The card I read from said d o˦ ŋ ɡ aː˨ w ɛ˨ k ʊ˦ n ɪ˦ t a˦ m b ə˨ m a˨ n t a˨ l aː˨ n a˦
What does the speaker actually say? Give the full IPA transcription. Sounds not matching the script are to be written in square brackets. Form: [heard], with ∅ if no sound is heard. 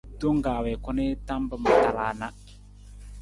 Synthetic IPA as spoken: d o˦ ŋ ɡ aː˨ w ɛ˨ k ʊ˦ n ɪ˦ t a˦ m b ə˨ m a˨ [∅] t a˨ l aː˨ n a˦